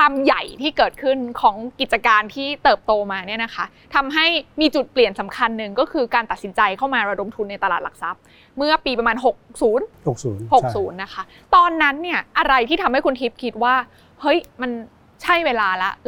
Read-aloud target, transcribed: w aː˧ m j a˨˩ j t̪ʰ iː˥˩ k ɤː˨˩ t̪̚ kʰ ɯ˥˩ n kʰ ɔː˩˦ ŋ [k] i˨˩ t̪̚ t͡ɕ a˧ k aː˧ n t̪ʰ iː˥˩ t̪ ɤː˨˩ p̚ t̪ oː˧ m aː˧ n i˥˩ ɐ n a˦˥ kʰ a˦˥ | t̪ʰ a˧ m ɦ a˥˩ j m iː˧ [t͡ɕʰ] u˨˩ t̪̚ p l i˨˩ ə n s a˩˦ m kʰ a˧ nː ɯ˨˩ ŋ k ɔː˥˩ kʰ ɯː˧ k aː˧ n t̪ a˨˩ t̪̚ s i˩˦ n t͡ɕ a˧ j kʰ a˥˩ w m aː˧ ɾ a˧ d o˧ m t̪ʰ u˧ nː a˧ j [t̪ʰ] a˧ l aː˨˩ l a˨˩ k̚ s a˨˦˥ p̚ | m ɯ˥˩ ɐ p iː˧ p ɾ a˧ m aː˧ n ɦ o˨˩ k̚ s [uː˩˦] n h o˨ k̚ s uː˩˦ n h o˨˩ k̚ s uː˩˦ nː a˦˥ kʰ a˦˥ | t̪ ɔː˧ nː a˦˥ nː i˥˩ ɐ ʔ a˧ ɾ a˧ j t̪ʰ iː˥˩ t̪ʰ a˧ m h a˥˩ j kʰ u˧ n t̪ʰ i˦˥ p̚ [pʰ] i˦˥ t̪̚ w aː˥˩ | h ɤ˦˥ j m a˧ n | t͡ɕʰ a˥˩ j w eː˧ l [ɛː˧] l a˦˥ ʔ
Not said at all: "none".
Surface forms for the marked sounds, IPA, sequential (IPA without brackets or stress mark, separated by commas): k, t͡ɕ, t̪, uː˩˦, kʰ, aː˧